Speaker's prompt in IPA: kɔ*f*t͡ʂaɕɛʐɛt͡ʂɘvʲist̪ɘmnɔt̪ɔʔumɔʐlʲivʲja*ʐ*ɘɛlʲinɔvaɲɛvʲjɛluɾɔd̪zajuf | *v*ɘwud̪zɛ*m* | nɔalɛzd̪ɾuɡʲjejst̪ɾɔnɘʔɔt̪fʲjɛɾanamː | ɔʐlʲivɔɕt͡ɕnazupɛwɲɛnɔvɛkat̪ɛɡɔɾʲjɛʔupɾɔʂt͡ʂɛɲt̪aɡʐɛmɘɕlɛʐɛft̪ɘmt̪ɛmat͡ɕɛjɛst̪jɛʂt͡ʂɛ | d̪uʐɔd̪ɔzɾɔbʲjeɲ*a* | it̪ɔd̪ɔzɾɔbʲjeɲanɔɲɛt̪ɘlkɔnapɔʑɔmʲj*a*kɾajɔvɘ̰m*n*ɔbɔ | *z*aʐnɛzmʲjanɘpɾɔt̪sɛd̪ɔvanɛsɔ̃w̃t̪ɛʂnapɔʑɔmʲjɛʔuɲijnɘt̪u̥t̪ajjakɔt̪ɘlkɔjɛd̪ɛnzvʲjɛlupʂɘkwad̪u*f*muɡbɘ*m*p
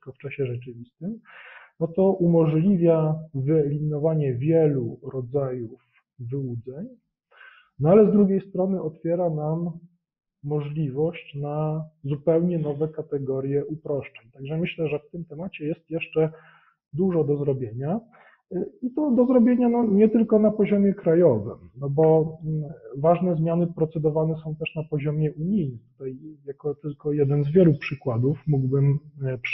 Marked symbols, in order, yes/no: yes, no, yes, no, yes, no, yes, no, yes, yes

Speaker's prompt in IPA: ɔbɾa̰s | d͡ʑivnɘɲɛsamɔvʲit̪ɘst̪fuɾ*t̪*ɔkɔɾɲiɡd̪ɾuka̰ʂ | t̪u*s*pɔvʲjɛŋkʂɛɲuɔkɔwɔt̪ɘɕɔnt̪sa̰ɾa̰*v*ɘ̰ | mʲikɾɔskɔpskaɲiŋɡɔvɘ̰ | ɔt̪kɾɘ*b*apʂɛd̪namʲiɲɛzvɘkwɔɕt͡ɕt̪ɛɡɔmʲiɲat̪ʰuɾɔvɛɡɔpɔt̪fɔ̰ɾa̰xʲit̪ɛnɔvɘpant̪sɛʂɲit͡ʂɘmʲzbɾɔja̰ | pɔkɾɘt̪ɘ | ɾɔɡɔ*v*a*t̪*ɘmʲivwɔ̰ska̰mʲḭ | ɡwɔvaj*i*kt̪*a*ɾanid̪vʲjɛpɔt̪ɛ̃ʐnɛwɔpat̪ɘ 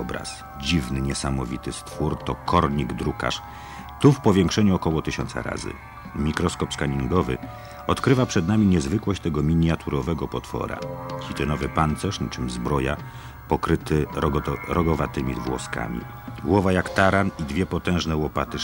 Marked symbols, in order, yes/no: yes, no, no, no, yes, yes, no, yes

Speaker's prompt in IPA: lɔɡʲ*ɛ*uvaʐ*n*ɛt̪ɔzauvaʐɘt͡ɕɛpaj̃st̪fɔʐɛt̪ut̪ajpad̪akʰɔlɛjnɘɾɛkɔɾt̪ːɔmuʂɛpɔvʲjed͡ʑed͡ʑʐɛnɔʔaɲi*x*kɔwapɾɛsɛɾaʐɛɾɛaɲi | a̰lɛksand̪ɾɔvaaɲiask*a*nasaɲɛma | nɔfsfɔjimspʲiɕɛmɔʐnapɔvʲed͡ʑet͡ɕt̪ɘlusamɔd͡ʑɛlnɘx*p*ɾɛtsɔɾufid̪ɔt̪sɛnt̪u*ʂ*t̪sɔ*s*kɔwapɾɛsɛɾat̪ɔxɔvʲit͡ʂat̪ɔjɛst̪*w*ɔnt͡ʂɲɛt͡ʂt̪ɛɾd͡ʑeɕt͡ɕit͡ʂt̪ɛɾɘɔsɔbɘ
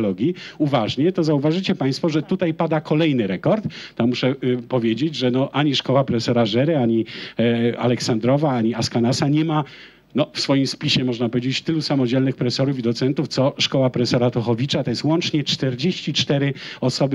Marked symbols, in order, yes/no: no, no, no, yes, yes, no, no, yes

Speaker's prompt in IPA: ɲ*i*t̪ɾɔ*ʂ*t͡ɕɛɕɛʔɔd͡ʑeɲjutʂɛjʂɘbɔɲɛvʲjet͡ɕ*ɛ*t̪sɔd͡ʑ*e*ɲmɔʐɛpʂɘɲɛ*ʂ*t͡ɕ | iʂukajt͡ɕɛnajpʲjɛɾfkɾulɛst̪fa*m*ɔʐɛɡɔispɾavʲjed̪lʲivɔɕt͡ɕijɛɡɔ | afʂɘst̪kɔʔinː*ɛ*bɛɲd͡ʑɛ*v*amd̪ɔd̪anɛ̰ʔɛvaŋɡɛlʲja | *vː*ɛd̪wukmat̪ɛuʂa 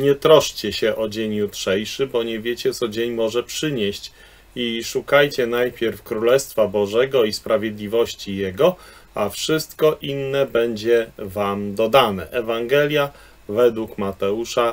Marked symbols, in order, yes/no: no, yes, yes, yes, no, no, yes, yes, no

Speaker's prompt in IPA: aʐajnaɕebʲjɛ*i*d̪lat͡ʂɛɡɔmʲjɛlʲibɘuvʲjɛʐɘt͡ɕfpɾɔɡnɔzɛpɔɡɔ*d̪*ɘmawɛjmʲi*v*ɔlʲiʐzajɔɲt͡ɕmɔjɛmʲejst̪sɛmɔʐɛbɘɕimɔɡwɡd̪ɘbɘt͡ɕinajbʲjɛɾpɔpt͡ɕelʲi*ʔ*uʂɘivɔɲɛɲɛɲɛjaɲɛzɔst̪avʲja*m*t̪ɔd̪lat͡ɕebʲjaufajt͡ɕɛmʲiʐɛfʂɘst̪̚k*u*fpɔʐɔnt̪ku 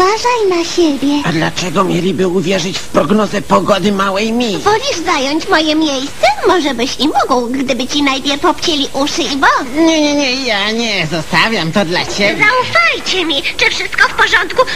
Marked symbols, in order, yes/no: no, yes, yes, yes, yes, no

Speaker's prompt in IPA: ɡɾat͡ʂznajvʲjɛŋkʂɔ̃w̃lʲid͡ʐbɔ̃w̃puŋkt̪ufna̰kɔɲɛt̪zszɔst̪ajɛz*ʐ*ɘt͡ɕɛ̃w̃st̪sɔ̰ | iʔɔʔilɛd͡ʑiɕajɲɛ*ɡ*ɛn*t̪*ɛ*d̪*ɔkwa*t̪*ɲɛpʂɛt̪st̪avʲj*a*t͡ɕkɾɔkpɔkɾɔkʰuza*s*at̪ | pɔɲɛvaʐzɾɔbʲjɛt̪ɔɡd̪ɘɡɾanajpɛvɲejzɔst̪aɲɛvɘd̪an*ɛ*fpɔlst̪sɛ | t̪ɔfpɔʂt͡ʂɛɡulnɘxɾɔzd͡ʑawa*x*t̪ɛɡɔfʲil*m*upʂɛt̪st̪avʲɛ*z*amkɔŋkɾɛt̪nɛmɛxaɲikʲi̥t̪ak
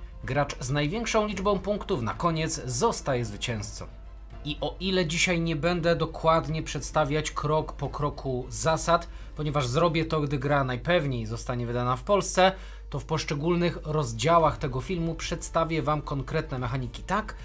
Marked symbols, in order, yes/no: no, no, no, yes, no, yes, yes, no, yes, yes, no

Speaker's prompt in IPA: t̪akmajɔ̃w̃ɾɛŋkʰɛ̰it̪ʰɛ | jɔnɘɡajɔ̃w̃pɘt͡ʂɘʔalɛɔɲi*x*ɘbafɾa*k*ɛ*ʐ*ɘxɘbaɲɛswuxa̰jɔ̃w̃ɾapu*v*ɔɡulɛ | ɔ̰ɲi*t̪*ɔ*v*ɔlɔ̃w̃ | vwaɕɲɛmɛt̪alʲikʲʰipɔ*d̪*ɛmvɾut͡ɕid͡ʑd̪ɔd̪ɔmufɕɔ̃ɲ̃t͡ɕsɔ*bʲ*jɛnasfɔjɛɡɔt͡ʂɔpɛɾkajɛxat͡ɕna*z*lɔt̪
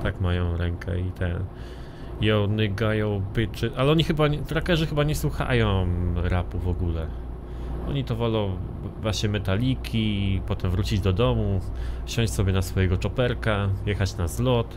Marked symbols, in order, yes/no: yes, yes, yes, yes, yes, yes, no, yes, yes

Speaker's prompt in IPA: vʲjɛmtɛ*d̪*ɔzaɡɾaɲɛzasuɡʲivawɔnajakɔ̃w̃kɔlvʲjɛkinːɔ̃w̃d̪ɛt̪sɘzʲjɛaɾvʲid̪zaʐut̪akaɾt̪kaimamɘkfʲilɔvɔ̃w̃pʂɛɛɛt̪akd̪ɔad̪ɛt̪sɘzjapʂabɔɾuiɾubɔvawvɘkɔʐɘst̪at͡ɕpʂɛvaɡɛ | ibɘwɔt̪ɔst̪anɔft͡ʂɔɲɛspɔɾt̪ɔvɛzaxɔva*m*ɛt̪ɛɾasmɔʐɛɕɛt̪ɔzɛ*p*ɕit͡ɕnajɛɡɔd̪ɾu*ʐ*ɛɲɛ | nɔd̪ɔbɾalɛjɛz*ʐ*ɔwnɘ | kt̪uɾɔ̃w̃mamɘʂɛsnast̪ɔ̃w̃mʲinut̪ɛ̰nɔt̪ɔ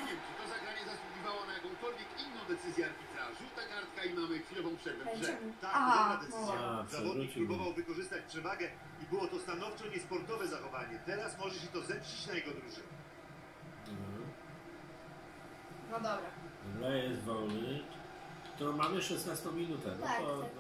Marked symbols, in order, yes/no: no, no, yes, yes, no

